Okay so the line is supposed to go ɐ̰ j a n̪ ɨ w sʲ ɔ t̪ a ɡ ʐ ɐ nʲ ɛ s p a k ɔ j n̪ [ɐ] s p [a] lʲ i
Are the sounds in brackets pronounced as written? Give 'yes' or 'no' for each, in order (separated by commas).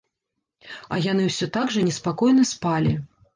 yes, yes